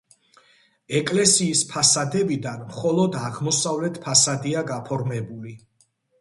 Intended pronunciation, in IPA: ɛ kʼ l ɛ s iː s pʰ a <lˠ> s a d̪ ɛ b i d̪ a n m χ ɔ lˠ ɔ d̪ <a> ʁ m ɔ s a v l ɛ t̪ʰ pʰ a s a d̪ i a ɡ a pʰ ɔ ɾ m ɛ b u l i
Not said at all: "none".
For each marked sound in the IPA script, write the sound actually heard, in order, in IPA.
none, a

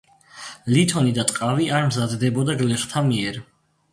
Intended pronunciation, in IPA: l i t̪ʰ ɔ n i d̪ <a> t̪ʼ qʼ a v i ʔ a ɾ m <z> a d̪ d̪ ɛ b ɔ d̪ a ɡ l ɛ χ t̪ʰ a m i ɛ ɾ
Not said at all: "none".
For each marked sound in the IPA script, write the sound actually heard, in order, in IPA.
a, z

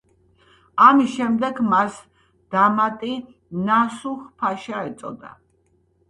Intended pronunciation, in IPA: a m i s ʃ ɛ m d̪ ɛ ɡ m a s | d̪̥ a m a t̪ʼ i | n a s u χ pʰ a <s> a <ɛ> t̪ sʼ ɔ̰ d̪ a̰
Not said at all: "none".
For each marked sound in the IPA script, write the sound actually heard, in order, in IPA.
ʃ, ɛ

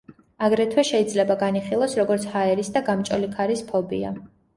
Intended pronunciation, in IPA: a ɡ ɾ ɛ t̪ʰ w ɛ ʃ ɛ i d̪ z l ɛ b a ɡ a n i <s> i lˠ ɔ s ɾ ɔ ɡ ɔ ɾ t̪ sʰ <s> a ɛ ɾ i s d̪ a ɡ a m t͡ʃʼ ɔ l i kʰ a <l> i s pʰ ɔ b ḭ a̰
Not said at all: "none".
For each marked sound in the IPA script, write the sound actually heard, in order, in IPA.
χ, h, ɾ

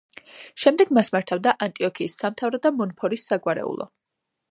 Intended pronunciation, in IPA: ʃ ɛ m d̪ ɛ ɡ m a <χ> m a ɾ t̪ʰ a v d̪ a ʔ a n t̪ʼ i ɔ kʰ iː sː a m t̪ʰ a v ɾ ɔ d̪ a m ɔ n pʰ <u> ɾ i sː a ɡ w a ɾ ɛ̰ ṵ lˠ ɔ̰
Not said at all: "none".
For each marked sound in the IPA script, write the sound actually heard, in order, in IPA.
s, ɔ

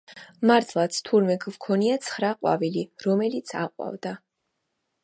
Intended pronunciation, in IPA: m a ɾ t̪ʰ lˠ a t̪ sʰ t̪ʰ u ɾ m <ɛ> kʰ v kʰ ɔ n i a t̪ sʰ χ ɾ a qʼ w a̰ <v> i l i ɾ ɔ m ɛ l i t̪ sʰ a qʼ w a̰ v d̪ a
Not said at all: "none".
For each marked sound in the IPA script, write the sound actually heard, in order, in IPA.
ɛ, v

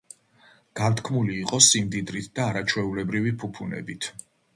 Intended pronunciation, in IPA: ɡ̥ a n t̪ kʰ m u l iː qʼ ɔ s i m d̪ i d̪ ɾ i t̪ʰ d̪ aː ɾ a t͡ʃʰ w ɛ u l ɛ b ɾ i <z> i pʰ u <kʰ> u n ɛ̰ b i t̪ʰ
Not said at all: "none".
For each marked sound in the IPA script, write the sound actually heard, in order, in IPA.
v, pʰ

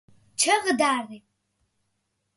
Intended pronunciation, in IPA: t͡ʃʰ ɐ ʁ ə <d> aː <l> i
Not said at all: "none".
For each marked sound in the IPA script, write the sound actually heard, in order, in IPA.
d, r

